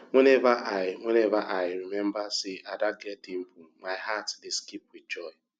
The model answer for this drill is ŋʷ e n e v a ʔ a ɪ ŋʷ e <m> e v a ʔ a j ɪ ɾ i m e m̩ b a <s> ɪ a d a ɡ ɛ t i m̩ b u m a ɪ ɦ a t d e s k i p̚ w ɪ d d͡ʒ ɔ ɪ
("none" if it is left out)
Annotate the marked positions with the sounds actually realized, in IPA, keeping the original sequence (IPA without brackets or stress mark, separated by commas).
n, s